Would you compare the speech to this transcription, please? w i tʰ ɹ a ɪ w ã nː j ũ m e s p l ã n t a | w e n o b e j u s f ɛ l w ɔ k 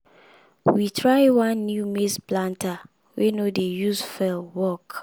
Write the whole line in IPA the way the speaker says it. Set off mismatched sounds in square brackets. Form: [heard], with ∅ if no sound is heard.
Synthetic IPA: w i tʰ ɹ a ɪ w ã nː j [u] m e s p l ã n t a | w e n o [d] e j u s f ɛ l w ɔ k